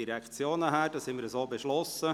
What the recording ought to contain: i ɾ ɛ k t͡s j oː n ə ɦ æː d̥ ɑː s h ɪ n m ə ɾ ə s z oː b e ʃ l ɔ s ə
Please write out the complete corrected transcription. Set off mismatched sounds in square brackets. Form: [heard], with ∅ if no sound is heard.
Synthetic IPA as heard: i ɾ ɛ k t͡s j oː n ə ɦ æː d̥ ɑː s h ɪ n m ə ɾ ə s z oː b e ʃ l ɔ s ə